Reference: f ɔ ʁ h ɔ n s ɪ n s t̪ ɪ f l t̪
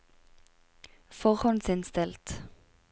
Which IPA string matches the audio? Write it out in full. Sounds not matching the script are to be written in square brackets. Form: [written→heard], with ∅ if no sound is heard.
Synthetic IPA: f ɔ ʁ h ɔ n s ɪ n s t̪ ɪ [f→∅] l t̪